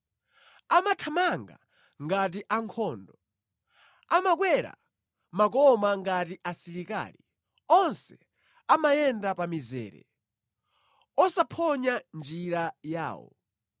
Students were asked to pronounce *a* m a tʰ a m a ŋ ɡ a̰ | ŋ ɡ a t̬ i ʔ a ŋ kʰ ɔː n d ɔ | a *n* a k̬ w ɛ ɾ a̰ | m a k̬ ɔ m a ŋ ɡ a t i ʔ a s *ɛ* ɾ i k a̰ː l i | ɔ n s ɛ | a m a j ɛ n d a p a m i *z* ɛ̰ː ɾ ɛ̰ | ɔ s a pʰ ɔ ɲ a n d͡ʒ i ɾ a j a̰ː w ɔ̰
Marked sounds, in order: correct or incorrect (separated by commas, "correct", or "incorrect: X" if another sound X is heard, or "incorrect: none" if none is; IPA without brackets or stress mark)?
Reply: correct, incorrect: m, incorrect: i, correct